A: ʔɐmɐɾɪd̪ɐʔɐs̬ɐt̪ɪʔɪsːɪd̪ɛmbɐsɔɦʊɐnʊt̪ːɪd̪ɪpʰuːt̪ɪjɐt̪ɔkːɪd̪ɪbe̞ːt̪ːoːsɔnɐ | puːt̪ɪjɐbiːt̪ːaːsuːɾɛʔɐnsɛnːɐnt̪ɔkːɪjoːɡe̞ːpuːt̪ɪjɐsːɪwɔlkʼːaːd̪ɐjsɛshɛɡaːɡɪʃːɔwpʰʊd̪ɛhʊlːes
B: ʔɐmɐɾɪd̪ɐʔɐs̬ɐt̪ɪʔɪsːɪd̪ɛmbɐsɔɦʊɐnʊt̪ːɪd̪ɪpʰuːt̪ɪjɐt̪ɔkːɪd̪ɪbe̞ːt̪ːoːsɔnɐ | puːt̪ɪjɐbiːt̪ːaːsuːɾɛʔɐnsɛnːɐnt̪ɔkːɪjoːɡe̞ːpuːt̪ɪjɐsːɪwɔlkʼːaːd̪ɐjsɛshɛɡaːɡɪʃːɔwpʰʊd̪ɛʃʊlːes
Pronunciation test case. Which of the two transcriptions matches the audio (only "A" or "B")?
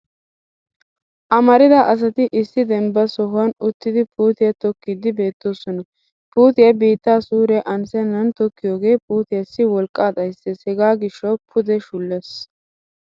B